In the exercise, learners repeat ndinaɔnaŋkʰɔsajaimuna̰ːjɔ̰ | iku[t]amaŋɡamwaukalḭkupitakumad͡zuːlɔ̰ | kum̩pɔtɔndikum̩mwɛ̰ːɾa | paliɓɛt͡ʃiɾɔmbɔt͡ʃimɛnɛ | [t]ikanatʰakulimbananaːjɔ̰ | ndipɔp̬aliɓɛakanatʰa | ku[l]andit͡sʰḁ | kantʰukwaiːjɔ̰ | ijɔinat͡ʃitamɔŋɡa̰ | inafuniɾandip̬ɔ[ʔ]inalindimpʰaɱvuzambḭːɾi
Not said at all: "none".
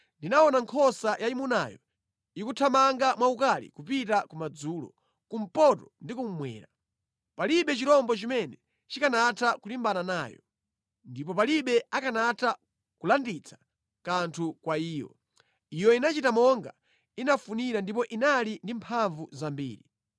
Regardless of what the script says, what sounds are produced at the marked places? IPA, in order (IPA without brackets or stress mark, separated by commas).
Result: tʰ, t͡ʃ, l, ʔ